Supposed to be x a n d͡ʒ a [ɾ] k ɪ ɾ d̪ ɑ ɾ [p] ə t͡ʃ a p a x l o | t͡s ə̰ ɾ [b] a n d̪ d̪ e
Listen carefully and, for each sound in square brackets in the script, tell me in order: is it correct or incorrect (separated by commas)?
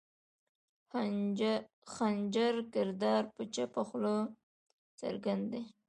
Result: correct, correct, incorrect